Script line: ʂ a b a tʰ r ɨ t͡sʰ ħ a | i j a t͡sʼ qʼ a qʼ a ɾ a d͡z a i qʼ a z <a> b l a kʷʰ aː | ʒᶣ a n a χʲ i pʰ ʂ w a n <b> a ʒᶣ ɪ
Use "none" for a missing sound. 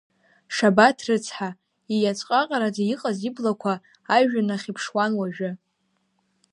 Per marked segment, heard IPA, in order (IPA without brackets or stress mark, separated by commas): i, w